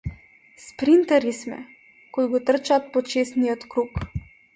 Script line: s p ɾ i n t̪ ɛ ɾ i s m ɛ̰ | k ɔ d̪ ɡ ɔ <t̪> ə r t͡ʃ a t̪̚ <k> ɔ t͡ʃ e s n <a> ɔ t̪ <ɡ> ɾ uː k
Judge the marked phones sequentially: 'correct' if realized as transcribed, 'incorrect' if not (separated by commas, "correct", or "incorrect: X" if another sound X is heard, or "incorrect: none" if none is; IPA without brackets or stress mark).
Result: correct, incorrect: p, incorrect: i, incorrect: k